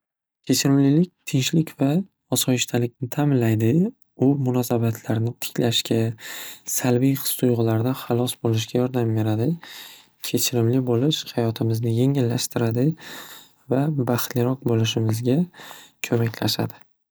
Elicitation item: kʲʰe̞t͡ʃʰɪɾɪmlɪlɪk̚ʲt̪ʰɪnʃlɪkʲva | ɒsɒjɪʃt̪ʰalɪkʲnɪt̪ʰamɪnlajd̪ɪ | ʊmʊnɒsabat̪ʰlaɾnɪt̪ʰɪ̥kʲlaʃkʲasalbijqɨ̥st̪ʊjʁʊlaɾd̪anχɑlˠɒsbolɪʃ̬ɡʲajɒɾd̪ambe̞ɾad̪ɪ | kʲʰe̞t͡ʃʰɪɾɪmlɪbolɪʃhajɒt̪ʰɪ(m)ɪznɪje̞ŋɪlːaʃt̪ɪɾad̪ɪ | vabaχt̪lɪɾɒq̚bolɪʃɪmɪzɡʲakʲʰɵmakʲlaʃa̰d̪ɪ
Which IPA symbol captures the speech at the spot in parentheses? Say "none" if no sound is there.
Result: m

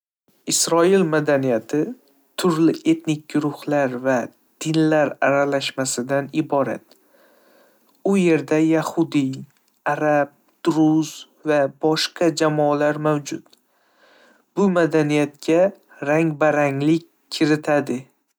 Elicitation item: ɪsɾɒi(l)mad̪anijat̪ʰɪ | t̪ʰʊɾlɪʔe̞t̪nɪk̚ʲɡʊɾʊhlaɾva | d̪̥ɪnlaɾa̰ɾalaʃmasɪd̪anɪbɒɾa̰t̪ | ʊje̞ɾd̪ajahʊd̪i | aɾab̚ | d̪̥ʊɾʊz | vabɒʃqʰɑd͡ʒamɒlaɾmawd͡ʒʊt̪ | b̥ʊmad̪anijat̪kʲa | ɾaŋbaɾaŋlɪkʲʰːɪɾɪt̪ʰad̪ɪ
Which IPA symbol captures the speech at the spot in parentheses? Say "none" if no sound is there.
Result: l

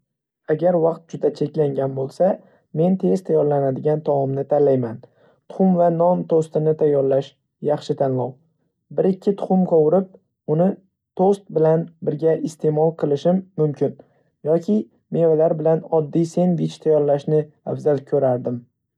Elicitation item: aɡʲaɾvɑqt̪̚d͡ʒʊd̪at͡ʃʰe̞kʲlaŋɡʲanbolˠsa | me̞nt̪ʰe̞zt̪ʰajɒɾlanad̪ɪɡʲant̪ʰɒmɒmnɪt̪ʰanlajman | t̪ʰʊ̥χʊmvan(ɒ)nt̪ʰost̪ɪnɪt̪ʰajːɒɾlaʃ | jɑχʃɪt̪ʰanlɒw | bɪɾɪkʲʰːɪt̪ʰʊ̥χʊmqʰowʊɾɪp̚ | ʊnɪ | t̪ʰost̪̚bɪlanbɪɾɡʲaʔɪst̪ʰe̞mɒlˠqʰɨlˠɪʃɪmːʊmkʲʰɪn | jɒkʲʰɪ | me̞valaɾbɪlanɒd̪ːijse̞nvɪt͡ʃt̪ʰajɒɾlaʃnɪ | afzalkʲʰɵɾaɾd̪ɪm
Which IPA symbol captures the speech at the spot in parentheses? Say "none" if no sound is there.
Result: ɒ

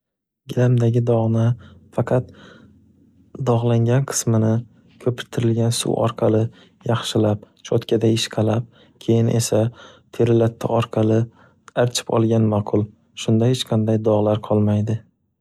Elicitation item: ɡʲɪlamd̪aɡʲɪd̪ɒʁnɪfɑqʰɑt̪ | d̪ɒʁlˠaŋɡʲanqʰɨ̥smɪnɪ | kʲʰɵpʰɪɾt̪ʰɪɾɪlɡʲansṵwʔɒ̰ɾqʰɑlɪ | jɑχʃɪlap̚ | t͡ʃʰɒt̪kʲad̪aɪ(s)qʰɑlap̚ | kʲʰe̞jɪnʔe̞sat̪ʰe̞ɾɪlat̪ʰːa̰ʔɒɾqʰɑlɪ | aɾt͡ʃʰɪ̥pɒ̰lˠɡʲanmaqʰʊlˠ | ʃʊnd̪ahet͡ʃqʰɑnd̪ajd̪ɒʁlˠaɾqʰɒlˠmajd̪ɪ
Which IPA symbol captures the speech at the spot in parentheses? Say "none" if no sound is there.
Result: ʃ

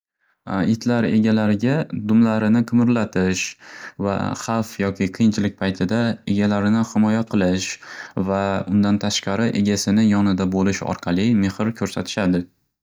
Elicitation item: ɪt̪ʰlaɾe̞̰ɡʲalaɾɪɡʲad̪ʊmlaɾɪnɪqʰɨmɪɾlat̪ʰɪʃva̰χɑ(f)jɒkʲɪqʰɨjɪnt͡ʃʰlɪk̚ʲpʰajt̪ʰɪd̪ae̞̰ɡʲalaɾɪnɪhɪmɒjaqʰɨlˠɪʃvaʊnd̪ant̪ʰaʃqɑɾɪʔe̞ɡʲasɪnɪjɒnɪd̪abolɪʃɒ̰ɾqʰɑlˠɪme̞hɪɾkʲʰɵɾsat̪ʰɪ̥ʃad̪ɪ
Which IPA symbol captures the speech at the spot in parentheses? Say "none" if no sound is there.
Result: f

